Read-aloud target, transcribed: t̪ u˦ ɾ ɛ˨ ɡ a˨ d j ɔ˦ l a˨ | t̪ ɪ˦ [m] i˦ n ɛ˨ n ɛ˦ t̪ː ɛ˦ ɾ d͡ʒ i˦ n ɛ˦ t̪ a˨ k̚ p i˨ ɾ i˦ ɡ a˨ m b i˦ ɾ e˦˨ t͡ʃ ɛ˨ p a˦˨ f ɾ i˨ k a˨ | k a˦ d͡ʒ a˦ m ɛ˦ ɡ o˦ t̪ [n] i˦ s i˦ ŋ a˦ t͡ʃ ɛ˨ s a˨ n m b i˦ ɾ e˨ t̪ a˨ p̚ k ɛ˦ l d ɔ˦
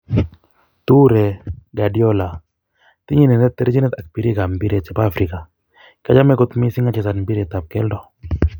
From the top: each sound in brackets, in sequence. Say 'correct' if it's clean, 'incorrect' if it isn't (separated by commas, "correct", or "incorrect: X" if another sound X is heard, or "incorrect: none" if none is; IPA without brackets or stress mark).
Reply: incorrect: ɲ, incorrect: m